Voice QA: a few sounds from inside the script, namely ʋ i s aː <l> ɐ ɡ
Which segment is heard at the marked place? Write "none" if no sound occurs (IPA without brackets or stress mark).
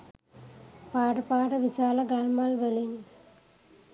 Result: l